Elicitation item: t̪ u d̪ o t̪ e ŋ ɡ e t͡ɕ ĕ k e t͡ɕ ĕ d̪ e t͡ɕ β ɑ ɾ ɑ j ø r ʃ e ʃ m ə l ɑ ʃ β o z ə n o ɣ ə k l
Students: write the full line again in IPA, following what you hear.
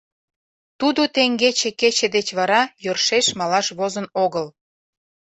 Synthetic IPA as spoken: t̪ u d̪ o t̪ e ŋ ɡ e t͡ɕ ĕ k e t͡ɕ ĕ d̪ e t͡ɕ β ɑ ɾ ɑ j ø r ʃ e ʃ m ɑ l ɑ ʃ β o z ə n o ɣ ə l